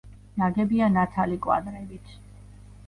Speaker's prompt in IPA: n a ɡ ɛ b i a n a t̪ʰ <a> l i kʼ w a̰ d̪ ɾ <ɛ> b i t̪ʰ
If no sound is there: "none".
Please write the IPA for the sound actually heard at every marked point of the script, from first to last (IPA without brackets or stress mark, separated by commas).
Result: a, ɛ